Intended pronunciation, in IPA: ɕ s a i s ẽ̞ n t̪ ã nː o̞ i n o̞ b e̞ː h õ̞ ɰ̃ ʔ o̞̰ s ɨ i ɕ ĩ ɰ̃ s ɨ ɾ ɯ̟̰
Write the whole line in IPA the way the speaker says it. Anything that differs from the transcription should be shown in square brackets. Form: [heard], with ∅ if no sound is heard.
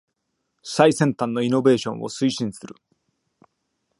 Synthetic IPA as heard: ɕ s a i s ẽ̞ n t̪ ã nː o̞ i n o̞ b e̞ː [ɕ] õ̞ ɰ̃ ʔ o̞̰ s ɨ i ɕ ĩ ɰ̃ s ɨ ɾ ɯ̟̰